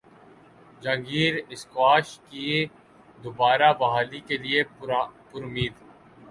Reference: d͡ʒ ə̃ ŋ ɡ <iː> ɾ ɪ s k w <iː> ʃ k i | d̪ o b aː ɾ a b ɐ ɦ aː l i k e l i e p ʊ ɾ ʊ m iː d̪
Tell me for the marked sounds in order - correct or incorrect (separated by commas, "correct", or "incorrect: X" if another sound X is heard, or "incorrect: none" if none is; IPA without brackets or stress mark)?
correct, incorrect: aː